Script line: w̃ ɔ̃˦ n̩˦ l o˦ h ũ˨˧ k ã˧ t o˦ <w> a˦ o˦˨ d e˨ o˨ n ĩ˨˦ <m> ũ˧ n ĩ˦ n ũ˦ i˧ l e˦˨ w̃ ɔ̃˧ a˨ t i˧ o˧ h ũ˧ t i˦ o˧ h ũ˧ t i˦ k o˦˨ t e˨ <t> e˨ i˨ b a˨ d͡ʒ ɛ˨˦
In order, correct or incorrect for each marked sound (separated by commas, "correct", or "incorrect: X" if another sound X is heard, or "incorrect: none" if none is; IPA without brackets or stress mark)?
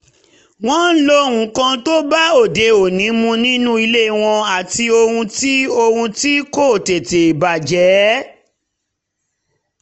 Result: incorrect: b, correct, correct